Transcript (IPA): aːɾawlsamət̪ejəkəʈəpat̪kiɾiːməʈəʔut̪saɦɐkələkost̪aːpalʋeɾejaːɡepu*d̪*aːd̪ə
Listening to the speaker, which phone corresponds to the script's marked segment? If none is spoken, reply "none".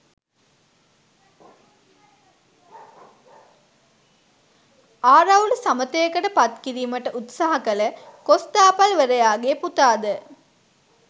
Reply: t̪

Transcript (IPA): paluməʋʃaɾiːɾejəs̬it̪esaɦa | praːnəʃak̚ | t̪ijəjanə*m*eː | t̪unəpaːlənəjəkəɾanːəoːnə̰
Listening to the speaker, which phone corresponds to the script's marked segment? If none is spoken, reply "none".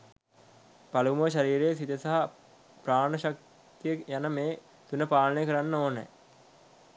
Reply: m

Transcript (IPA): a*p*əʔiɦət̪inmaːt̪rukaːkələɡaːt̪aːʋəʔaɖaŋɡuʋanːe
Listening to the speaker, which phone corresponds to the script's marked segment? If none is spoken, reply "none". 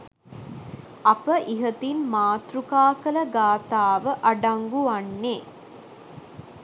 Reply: p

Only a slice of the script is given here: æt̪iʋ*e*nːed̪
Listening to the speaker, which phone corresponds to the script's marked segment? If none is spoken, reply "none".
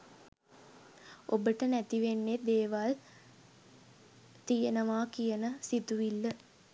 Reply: e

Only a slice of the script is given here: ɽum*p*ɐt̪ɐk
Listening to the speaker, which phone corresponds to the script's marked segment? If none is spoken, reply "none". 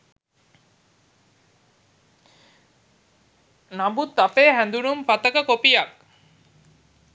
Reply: p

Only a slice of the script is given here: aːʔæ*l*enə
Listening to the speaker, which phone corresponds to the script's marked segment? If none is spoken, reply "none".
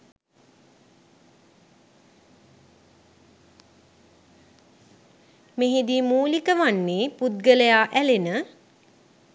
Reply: l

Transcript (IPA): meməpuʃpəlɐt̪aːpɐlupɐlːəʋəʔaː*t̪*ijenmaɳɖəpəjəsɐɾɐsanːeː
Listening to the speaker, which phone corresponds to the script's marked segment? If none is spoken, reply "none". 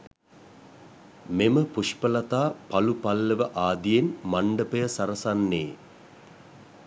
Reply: d̪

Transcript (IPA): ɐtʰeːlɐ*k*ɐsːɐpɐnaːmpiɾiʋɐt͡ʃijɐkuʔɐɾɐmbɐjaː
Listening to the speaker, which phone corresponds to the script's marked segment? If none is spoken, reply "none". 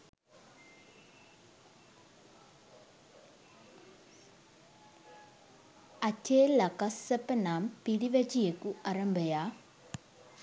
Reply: k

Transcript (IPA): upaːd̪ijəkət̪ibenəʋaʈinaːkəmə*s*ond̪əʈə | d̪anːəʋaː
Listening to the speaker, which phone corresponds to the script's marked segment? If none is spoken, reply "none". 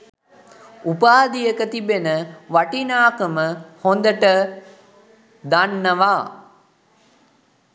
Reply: h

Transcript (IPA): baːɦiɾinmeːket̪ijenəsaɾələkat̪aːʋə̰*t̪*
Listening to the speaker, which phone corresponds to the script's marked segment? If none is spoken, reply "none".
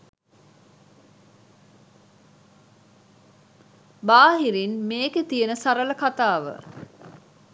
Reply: none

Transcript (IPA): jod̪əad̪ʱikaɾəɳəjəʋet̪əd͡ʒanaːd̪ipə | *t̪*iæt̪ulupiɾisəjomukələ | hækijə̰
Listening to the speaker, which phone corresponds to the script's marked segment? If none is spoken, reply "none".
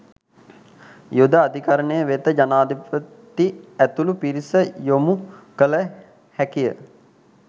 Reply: t̪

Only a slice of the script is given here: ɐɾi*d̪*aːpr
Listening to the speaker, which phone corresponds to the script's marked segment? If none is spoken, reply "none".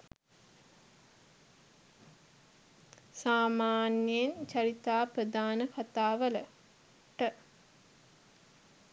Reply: t̪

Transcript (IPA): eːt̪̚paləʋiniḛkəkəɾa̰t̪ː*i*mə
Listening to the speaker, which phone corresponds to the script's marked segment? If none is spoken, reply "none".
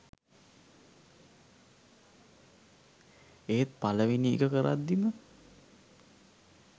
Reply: i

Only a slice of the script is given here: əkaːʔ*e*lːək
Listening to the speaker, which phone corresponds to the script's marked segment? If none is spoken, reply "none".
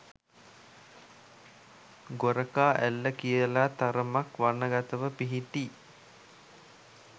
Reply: æ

